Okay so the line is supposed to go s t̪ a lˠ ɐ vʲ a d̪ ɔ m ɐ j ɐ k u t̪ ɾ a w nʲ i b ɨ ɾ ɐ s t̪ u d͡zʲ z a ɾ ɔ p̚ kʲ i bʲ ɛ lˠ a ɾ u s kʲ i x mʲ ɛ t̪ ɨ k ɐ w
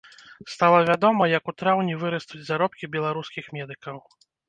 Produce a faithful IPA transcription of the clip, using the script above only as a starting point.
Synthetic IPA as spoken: s t̪ a lˠ ɐ vʲ a d̪ ɔ m ɐ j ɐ k u t̪ ɾ a w nʲ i v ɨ ɾ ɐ s t̪ u d͡zʲ z a ɾ ɔ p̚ kʲ i bʲ ɛ lˠ a ɾ u s kʲ i x mʲ ɛ d̪ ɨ k ɐ w